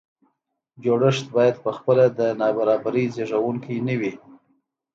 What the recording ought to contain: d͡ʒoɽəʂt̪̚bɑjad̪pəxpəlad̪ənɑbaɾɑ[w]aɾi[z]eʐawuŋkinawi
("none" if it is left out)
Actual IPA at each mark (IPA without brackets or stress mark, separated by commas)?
b, z